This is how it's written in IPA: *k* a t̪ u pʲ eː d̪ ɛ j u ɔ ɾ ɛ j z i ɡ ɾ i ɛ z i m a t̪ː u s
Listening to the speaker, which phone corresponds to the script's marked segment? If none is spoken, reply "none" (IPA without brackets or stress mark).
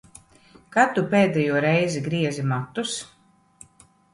k